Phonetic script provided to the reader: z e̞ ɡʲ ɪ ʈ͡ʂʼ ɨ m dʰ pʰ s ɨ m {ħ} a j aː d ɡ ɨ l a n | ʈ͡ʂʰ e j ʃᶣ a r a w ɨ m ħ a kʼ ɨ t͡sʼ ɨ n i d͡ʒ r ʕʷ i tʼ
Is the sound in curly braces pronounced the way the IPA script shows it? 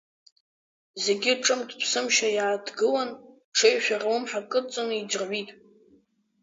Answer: no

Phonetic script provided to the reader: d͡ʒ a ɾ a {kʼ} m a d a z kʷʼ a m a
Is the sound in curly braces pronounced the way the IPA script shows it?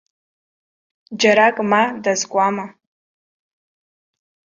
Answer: yes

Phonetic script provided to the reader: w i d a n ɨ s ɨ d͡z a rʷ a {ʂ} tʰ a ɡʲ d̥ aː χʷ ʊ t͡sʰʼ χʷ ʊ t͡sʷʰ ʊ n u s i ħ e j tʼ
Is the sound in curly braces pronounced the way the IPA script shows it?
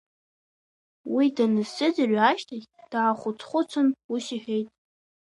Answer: no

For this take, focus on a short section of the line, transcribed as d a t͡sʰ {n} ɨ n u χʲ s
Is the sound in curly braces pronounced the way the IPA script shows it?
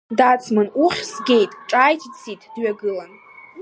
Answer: no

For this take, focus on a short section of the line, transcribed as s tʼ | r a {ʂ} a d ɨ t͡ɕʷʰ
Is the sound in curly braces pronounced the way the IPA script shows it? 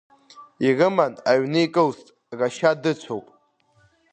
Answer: no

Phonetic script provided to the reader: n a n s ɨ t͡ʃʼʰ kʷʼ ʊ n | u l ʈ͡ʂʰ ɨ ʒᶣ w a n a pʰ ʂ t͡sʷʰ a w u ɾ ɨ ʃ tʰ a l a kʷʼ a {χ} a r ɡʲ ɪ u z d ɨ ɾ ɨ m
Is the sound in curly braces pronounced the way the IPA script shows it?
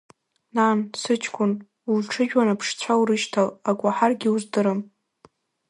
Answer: no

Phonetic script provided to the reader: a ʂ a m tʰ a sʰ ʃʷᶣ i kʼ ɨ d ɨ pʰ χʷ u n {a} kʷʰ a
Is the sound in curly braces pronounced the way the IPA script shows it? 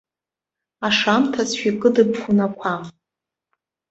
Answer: yes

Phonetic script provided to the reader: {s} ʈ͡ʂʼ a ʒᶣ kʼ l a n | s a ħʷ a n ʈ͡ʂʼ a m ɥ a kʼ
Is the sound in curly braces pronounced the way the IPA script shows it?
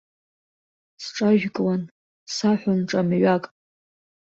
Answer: yes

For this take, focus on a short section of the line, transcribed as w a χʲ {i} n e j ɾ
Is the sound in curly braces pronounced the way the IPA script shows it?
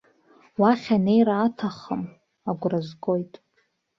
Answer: no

